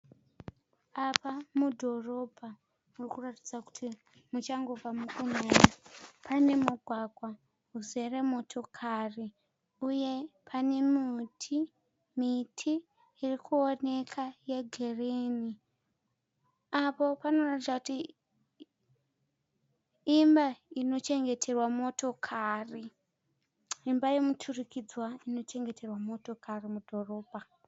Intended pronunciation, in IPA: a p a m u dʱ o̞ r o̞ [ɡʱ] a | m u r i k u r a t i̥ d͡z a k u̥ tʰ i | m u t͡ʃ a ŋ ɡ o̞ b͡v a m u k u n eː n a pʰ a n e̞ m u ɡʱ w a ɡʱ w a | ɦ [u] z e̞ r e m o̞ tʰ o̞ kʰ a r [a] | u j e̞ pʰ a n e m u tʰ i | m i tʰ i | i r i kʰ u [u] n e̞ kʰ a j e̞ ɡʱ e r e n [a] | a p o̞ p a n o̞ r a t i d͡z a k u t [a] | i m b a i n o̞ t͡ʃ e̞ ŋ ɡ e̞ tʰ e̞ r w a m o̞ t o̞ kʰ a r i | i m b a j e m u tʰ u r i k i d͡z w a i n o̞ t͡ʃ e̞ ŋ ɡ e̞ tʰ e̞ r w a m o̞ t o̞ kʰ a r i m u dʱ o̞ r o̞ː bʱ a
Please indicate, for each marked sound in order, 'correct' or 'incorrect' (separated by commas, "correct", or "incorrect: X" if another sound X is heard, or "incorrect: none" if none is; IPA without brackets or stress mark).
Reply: incorrect: bʱ, correct, incorrect: i, incorrect: o, incorrect: i, incorrect: i